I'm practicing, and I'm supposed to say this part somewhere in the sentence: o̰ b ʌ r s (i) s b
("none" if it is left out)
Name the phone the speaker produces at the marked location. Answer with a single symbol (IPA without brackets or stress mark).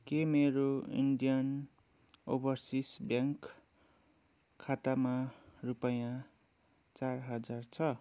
i